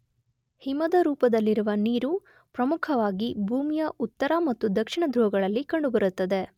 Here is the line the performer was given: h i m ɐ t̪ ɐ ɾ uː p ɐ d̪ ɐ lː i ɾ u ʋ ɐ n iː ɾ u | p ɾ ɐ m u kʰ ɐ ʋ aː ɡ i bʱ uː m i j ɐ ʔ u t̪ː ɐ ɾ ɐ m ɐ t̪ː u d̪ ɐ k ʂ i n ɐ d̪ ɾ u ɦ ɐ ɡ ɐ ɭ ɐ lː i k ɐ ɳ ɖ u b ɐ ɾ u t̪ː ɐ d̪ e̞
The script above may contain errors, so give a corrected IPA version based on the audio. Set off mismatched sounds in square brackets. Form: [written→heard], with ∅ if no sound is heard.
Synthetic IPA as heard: h i m ɐ [t̪→d̪] ɐ ɾ uː p ɐ d̪ ɐ lː i ɾ u ʋ ɐ n iː ɾ u | p ɾ ɐ m u kʰ ɐ ʋ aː ɡ i bʱ uː m i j ɐ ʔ u t̪ː ɐ ɾ ɐ m ɐ t̪ː u d̪ ɐ k ʂ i [n→ɳ] ɐ d̪ ɾ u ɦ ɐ ɡ ɐ ɭ ɐ lː i k ɐ ɳ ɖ u b ɐ ɾ u t̪ː ɐ d̪ e̞